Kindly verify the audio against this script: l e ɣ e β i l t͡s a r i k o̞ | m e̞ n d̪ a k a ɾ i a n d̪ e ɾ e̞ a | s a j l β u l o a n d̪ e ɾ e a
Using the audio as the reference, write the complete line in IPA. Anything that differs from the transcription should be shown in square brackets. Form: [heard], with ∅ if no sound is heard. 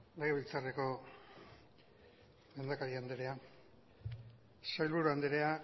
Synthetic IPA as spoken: l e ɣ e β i l t͡s a r [e] k o̞ | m e̞ n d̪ a k a ɾ i a n d̪ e ɾ e̞ a | s a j l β u [ɾ] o a n d̪ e ɾ e a